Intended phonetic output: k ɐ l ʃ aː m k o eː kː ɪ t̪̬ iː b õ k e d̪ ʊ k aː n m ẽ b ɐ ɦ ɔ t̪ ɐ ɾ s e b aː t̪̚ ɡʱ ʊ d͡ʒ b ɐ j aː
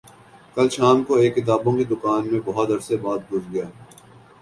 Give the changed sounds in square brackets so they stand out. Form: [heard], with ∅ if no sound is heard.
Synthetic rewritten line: k ɐ l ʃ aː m k o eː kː ɪ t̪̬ [aː] b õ k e d̪ ʊ k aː n m ẽ b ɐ ɦ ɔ t̪ ɐ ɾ s e b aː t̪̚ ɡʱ ʊ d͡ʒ [ɡ] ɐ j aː